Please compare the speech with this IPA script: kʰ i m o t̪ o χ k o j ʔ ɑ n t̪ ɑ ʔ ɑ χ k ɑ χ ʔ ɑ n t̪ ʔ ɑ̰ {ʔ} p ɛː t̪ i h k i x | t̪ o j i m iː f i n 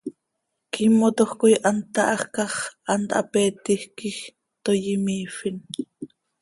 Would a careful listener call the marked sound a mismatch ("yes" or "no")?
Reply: yes